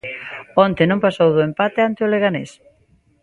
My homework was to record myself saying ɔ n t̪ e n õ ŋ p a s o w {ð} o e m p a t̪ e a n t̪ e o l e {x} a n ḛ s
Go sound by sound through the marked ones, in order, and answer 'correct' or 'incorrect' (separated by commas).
correct, incorrect